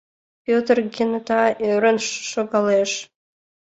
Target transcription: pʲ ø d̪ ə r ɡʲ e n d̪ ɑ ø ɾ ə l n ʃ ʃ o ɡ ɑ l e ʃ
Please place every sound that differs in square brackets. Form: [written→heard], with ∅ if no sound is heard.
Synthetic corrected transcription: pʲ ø [d̪→t̪] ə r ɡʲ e n [d̪→t̪] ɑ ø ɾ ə [l→∅] n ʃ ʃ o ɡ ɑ l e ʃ